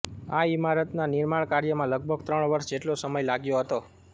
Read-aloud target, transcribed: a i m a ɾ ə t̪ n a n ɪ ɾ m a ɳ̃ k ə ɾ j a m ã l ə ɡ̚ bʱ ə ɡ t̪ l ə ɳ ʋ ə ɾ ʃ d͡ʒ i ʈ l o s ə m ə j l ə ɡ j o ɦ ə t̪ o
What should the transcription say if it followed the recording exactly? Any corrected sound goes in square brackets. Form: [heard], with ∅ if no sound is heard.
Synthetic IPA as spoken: a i m a ɾ ə t̪ n a n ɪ ɾ m a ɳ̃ k [a] ɾ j [ə] m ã l ə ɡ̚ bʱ ə ɡ t̪ [ɾ] ə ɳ ʋ ə ɾ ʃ d͡ʒ [e] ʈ l o s ə m ə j l [a] ɡ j o ɦ ə t̪ o